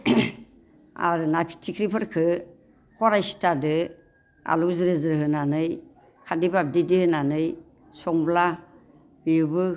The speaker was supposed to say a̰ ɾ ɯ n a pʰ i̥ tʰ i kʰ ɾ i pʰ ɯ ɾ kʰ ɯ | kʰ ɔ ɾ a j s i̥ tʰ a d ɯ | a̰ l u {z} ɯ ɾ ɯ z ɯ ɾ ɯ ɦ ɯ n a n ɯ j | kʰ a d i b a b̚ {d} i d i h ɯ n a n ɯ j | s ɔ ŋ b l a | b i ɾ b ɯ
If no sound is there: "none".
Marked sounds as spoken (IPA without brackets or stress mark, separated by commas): z, d